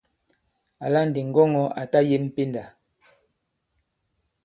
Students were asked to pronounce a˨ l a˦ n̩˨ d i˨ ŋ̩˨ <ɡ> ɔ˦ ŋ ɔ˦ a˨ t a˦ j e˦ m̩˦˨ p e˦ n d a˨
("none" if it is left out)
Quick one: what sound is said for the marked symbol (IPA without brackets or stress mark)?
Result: ɡ